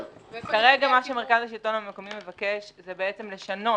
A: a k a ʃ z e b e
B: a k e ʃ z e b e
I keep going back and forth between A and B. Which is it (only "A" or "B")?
B